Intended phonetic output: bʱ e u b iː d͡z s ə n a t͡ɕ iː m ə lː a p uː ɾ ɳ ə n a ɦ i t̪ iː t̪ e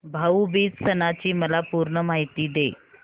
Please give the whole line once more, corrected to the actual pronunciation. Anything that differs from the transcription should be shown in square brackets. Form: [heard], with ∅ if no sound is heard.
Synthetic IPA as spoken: bʱ [a] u b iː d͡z s ə n a t͡ɕ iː m ə [l] a p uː ɾ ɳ ə [m] a ɦ i t̪ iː [d̪] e